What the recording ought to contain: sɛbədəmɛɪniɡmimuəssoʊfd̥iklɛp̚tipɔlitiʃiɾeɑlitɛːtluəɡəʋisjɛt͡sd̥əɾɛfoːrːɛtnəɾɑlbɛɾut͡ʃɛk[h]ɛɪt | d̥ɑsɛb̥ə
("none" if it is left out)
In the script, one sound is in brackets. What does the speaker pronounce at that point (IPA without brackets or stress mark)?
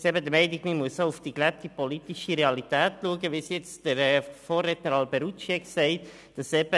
s